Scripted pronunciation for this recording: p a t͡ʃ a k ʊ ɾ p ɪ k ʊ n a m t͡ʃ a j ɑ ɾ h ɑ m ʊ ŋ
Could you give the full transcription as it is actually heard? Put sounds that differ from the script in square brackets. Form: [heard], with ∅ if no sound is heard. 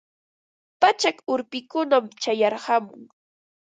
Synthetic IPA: p a t͡ʃ a k ʊ ɾ p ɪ k ʊ n a m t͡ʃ a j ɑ ɾ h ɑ m ʊ ŋ